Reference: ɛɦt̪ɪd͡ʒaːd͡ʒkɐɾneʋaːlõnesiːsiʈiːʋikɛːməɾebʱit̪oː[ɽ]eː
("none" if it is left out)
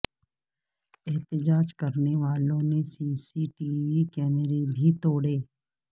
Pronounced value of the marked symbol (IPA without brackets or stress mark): ɽ